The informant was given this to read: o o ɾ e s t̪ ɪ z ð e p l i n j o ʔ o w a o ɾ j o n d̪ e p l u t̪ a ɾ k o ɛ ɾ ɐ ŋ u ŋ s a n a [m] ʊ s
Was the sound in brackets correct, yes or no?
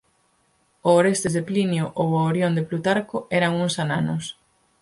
no